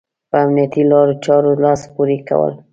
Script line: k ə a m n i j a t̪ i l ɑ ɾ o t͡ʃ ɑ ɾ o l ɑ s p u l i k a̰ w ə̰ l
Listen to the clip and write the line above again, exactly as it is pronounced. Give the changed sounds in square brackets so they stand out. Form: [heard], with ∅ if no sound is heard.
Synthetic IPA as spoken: [p] ə a m n i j a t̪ i l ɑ ɾ o t͡ʃ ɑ ɾ o l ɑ s p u [ɾ] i k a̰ w ə̰ l